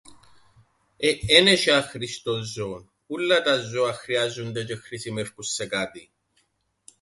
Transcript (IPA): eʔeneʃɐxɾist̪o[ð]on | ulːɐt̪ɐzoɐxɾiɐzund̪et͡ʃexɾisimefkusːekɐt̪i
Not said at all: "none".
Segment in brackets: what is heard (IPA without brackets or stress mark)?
z